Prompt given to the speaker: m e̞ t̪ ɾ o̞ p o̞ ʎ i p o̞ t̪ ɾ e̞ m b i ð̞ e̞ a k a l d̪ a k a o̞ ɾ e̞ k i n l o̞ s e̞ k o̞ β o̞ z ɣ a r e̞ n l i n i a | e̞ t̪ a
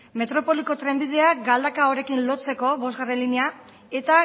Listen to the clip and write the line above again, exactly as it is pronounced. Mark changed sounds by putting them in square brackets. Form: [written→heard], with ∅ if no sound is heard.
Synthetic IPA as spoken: m e̞ t̪ ɾ o̞ p o̞ [ʎ→l] i [p→k] o̞ t̪ ɾ e̞ m b i ð̞ e̞ a [k→ɡ] a l d̪ a k a o̞ ɾ e̞ k i n l o̞ [s→t͡s] e̞ k o̞ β o̞ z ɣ a r e̞ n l i n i a | e̞ t̪ a